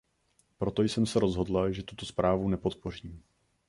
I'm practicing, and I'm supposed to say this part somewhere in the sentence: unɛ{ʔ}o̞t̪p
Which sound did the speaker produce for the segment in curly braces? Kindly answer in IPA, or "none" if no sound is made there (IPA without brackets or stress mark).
p